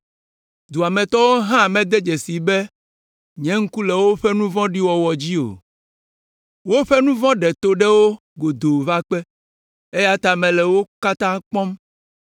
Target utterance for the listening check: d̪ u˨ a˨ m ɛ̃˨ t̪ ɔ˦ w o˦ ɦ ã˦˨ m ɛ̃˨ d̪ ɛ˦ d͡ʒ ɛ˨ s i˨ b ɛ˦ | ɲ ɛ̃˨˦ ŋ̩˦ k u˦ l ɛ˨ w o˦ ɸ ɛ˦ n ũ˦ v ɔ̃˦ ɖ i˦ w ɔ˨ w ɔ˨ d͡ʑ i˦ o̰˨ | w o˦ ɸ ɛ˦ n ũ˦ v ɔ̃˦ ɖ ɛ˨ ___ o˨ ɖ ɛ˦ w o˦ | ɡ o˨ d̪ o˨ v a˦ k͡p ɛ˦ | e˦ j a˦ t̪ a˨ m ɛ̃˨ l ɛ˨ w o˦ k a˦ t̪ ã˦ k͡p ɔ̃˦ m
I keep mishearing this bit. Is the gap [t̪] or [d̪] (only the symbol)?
t̪